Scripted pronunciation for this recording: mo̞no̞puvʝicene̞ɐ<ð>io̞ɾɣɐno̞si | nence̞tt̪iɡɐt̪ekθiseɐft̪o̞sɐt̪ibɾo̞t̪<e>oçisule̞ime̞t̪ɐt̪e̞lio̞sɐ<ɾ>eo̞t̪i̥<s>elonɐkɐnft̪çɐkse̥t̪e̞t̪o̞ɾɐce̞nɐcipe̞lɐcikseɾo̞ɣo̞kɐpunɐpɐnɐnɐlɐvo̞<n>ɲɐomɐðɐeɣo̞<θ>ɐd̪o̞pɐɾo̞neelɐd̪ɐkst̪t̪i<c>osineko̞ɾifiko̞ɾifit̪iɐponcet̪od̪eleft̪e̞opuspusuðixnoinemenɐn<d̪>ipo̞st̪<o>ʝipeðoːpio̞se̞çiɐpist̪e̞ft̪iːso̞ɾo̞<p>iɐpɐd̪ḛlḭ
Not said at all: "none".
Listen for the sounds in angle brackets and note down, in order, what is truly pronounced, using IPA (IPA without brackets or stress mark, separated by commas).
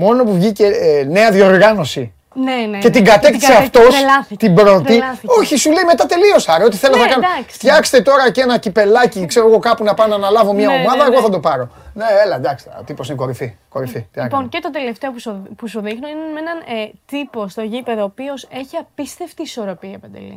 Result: ð, i, ɾ, θ, m, θ, p, t̪, o, p